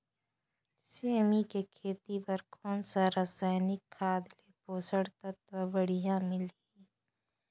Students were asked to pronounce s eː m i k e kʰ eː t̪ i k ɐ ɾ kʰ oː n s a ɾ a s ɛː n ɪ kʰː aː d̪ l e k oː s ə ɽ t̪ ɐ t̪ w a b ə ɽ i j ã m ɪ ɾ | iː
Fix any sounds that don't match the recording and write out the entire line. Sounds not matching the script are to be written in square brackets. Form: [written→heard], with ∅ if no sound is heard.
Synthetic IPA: s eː m i k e kʰ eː t̪ i [k→p] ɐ ɾ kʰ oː n s a ɾ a s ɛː n ɪ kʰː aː d̪ l e [k→p] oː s ə ɽ t̪ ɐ t̪ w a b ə ɽ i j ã m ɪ [ɾ→l] | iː